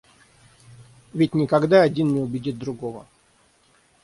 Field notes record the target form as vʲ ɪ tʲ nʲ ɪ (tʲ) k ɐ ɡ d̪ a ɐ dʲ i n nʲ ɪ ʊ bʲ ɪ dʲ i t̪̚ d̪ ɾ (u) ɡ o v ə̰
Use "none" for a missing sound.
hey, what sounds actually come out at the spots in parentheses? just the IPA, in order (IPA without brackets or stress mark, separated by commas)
none, ʊ